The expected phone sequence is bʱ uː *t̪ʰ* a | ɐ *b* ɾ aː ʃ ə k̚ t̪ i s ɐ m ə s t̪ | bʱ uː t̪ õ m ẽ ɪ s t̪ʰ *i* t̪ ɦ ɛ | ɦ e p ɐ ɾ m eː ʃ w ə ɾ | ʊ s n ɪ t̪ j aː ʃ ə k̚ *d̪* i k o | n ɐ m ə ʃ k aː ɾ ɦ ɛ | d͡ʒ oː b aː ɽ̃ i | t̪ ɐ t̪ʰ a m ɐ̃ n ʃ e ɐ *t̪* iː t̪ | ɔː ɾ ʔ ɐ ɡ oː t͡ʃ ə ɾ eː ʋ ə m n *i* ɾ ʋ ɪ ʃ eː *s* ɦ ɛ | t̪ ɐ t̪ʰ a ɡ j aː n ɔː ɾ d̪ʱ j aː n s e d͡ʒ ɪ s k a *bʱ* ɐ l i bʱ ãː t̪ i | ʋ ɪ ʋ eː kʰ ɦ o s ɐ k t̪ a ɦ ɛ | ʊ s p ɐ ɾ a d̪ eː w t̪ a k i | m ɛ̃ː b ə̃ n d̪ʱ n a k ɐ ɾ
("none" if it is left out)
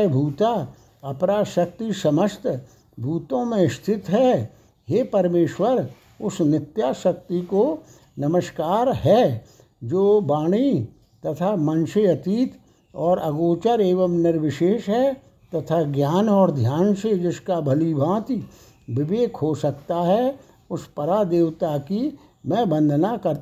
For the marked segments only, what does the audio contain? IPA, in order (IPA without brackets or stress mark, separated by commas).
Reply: t̪, p, ɪ, t̪, t̪, ɪ, ʃ, bʱ